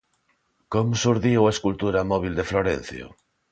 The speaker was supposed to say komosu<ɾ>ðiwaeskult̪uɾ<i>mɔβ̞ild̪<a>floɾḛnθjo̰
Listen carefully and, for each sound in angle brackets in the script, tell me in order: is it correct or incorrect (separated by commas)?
correct, incorrect, incorrect